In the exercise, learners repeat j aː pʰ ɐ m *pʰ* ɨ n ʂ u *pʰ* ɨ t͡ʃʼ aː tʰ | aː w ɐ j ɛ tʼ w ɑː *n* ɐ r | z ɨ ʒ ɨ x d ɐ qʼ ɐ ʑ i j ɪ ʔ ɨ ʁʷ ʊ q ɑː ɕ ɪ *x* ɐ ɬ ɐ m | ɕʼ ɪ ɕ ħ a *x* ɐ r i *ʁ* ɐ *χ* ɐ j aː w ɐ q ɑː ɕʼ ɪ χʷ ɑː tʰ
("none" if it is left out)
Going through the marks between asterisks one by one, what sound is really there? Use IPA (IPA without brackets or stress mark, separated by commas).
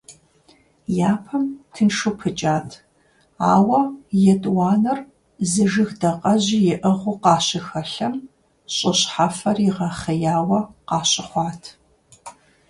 tʰ, pʰ, n, x, f, ʁ, χ